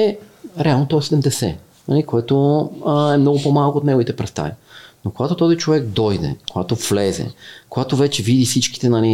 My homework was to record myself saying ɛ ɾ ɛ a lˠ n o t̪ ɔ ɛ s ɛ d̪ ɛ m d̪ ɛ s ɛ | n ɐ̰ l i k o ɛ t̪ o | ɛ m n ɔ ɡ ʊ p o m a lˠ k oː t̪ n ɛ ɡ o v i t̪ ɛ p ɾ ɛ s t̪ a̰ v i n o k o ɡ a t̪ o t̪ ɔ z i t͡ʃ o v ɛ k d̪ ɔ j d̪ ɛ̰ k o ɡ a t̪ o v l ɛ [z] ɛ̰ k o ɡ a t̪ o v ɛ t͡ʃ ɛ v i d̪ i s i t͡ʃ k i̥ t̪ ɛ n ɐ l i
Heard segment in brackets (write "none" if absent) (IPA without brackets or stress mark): z